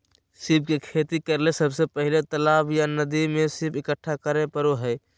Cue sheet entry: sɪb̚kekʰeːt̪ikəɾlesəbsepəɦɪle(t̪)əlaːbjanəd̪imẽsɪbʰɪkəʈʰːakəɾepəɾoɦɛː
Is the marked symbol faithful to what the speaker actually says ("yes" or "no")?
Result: yes